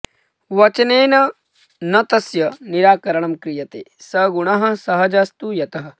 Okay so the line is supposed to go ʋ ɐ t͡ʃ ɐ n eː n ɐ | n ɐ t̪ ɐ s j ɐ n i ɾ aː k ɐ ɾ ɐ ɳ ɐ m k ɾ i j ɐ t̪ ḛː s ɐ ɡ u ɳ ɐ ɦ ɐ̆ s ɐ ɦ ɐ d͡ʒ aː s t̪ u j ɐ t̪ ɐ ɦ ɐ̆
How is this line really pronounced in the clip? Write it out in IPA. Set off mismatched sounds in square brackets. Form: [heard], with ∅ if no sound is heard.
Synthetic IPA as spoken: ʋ ɐ t͡ʃ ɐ n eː n ɐ | n ɐ t̪ ɐ s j ɐ n i ɾ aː k ɐ ɾ ɐ ɳ ɐ m k ɾ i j ɐ t̪ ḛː s ɐ ɡ u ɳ ɐ ɦ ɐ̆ s ɐ ɦ ɐ d͡ʒ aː s t̪ u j ɐ t̪ ɐ ɦ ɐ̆